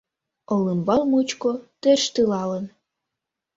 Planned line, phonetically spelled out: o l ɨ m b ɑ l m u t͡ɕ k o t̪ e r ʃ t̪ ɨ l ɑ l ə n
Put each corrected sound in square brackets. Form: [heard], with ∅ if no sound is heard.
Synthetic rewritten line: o l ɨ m b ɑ l m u t͡ɕ k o t̪ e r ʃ t̪ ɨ l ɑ l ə n